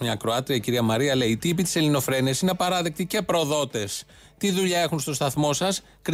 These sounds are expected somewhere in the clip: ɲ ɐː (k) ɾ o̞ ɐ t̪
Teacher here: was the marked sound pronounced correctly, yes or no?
yes